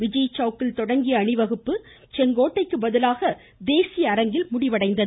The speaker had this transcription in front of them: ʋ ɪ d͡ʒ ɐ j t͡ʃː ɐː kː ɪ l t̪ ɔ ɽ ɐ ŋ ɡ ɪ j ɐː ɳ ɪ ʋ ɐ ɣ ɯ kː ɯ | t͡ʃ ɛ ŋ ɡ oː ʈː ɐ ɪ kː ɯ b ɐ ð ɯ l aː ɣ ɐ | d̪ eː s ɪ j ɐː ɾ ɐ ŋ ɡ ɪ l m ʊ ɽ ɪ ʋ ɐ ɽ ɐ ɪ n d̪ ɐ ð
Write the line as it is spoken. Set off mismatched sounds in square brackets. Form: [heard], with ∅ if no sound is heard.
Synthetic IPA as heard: ʋ ɪ d͡ʒ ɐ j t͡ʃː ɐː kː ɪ l t̪ ɔ ɽ ɐ ŋ ɡ ɪ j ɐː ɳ ɪ ʋ ɐ ɣ ɯ [pː] ɯ | t͡ʃ ɛ ŋ ɡ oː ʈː ɐ ɪ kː ɯ b ɐ ð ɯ l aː ɣ ɐ | d̪ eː s ɪ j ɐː ɾ ɐ ŋ ɡ ɪ l m ʊ ɽ ɪ ʋ ɐ ɽ ɐ ɪ n d̪ ɐ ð

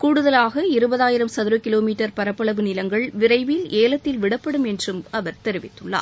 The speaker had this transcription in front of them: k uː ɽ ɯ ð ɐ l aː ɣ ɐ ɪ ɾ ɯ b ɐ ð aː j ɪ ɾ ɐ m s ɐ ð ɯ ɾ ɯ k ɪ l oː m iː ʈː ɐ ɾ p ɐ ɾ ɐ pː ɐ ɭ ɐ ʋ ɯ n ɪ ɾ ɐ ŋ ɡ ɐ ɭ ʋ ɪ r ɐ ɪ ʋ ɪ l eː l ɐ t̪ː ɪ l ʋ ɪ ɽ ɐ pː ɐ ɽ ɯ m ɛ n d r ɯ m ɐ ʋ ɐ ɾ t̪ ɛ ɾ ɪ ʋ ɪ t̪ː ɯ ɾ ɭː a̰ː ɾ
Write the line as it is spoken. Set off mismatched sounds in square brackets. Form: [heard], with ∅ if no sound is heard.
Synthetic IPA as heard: k uː ɽ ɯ ð ɐ l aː ɣ ɐ ɪ ɾ ɯ b ɐ ð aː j ɪ ɾ ɐ m s ɐ ð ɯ ɾ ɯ k ɪ l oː m iː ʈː ɐ ɾ p ɐ ɾ ɐ pː ɐ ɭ ɐ ʋ ɯ n ɪ [l] ɐ ŋ ɡ ɐ ɭ ʋ ɪ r ɐ ɪ ʋ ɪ l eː l ɐ t̪ː ɪ l ʋ ɪ ɽ ɐ pː ɐ ɽ ɯ m ɛ n d r ɯ m ɐ ʋ ɐ ɾ t̪ ɛ ɾ ɪ ʋ ɪ t̪ː ɯ [∅] ɭː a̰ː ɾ

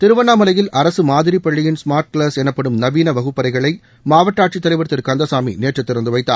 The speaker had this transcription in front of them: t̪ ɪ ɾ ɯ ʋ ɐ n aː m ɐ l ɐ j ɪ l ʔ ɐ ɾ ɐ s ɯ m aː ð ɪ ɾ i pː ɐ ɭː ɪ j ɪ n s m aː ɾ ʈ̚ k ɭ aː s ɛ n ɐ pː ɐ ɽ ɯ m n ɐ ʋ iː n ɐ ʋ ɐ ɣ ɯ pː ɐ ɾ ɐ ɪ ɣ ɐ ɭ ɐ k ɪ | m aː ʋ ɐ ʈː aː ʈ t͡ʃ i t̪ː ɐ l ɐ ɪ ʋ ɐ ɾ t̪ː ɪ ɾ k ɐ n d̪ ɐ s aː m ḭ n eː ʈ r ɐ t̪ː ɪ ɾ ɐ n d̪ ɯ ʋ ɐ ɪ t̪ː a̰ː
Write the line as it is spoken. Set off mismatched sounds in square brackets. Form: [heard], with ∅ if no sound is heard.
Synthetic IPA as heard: t̪ ɪ ɾ ɯ ʋ ɐ n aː m ɐ l ɐ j ɪ l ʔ ɐ ɾ ɐ s ɯ m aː ð ɪ ɾ i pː ɐ ɭː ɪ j ɪ n s m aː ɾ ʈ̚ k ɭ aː s ɛ n ɐ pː ɐ ɽ ɯ m n ɐ ʋ iː n ɐ ʋ ɐ ɣ ɯ pː ɐ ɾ ɐ ɪ ɣ ɐ ɭ ɐ [∅] ɪ | m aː ʋ ɐ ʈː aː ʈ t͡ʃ i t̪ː ɐ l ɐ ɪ ʋ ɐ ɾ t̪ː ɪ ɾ k ɐ n d̪ ɐ s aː m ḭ n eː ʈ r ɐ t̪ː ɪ ɾ ɐ n d̪ ɯ ʋ ɐ ɪ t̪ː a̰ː

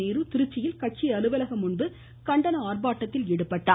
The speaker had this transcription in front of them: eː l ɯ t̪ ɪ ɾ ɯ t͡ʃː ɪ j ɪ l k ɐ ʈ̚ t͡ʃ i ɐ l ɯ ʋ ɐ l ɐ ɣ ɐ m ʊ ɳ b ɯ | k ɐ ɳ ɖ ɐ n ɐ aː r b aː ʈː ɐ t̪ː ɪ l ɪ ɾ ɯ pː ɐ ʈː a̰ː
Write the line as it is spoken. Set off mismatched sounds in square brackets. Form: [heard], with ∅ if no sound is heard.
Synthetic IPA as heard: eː [ɾ] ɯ t̪ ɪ ɾ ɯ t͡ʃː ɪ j ɪ l k ɐ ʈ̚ t͡ʃ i ɐ l ɯ ʋ ɐ l ɐ ɣ ɐ m ʊ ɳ b ɯ | k ɐ ɳ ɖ ɐ n ɐ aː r b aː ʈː ɐ t̪ː ɪ l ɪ [ɽ] ɯ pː ɐ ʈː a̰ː

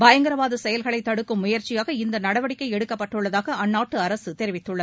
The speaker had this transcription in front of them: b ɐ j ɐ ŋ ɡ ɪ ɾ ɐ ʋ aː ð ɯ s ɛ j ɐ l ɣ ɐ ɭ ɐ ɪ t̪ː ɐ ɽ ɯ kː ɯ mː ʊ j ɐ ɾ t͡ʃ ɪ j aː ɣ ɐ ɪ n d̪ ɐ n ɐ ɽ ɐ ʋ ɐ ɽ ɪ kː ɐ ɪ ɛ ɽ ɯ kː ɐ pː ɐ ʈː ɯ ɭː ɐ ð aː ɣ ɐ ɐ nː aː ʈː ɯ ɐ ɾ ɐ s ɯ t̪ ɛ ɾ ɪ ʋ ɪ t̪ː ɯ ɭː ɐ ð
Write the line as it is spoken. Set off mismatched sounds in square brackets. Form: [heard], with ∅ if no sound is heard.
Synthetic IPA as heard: b ɐ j ɐ ŋ ɡ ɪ ɾ ɐ ʋ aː ð ɯ s ɛ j ɐ l ɣ ɐ ɭ ɐ ɪ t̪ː ɐ ɽ ɯ kː ɯ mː ʊ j ɐ ɾ t͡ʃ ɪ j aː ɣ ɐ ɪ n d̪ ɐ n ɐ ɽ ɐ ʋ ɐ ɽ ɪ kː ɐ ɪ ɛ ɽ ɯ kː ɐ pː ɐ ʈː ɯ ɭː ɐ ð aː ɣ ɐ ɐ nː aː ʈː ɯ ɐ ɾ ɐ s ɯ t̪ ɛ ɾ ɪ ʋ ɪ t̪ː ɯ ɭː ɐ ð

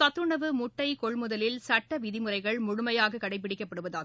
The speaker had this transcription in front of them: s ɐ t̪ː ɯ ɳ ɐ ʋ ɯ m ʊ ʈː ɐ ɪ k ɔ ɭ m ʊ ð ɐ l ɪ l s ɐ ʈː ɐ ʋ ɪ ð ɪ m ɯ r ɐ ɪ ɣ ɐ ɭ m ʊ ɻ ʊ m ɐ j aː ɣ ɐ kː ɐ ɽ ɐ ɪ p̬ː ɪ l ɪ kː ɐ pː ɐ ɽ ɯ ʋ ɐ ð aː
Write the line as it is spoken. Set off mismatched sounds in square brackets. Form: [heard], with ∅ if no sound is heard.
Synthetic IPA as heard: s ɐ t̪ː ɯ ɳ ɐ ʋ ɯ m ʊ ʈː ɐ ɪ k ɔ ɭ m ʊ ð ɐ l ɪ l s ɐ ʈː ɐ ʋ ɪ ð ɪ m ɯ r ɐ ɪ ɣ ɐ ɭ m ʊ ɻ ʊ m ɐ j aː ɣ ɐ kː ɐ ɽ ɐ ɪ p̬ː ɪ [ɽ] ɪ kː ɐ pː ɐ ɽ ɯ ʋ ɐ ð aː

